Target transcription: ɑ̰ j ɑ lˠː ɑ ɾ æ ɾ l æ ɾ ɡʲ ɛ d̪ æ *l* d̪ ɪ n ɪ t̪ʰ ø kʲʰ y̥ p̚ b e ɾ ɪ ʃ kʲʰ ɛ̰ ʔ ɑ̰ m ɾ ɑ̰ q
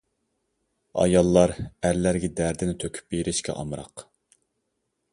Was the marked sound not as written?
yes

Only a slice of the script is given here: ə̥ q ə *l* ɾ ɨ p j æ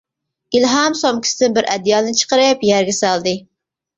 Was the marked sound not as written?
yes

